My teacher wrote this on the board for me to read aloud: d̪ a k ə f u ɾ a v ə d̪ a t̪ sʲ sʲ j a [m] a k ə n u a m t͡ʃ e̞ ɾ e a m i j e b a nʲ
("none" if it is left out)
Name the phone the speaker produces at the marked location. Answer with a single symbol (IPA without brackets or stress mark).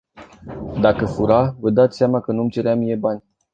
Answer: m